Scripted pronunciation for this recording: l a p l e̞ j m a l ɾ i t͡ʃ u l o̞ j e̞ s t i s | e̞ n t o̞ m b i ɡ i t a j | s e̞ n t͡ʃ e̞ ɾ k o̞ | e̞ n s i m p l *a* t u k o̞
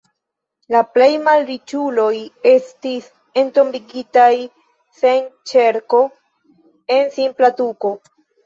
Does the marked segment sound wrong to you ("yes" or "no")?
no